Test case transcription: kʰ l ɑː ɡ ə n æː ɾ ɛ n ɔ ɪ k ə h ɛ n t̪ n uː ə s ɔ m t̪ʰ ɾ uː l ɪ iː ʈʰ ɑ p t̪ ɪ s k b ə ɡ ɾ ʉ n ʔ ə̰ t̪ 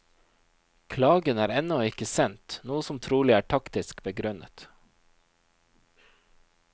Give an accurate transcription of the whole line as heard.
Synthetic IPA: kʰ l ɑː ɡ ə n æː ɾ ɛ n ɔ ɪ k ə s ɛ n t̪ n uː ə s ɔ m t̪ʰ ɾ uː l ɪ æː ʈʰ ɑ k t̪ ɪ s k b ə ɡ ɾ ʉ n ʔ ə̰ t̪